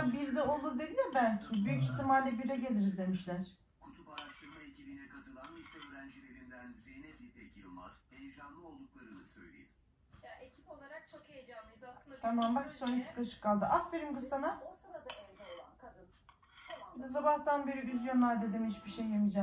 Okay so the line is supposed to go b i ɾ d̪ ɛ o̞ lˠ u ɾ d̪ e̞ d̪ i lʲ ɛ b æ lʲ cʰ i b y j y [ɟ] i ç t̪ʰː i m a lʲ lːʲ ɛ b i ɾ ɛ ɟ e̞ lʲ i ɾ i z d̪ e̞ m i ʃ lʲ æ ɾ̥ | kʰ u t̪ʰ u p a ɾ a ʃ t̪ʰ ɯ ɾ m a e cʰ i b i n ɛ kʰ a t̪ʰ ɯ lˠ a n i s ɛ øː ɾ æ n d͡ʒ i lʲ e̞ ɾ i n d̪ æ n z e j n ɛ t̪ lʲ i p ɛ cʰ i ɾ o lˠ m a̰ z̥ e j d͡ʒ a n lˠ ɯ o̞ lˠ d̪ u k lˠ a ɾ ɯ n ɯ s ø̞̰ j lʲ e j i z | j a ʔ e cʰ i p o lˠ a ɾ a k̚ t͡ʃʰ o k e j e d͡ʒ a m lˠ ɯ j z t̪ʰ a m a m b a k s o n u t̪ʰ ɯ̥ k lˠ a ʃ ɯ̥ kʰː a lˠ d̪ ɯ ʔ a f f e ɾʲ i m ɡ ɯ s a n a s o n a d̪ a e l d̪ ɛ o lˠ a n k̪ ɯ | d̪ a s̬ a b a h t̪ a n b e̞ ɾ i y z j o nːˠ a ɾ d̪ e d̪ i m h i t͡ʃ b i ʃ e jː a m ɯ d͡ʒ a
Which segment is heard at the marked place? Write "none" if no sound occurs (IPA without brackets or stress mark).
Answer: c